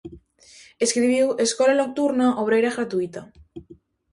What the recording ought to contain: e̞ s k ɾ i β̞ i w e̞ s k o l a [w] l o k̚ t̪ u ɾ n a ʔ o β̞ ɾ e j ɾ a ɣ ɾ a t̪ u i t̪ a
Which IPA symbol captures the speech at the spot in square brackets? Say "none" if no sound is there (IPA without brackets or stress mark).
none